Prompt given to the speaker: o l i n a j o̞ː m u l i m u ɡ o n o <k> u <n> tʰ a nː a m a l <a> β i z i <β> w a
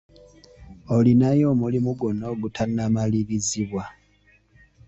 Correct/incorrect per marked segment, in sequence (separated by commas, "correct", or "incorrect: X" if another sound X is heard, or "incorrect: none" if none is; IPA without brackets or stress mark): incorrect: ɡ, incorrect: none, incorrect: i, correct